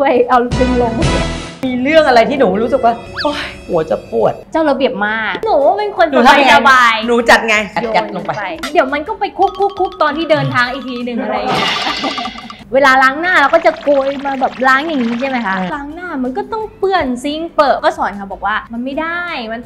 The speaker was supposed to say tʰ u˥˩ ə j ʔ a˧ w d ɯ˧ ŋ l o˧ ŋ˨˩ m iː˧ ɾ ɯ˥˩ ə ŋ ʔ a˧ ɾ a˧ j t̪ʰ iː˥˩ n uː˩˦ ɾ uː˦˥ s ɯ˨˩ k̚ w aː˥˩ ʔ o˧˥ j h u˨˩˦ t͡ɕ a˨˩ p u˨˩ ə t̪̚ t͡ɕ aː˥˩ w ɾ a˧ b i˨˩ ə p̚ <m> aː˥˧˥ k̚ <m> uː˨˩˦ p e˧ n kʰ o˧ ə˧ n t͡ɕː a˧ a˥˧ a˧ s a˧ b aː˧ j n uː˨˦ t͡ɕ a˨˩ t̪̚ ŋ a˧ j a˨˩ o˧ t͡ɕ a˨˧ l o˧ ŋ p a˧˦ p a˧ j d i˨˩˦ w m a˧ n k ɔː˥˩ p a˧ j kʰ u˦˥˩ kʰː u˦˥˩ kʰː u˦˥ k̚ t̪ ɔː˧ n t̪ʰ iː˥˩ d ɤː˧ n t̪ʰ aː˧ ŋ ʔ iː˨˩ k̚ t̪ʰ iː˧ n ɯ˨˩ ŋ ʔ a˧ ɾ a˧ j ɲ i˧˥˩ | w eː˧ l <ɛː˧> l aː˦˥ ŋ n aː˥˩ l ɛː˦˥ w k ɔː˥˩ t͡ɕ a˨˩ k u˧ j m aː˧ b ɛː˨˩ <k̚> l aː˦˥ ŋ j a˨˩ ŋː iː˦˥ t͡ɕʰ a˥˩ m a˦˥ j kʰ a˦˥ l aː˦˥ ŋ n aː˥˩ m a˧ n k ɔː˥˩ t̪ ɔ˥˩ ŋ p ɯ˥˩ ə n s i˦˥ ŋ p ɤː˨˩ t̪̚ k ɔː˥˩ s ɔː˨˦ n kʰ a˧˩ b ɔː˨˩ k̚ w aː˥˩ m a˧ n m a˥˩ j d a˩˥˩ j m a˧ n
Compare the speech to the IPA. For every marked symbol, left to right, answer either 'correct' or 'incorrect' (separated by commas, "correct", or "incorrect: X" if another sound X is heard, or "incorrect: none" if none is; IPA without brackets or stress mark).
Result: correct, incorrect: n, incorrect: aː˧, incorrect: p̚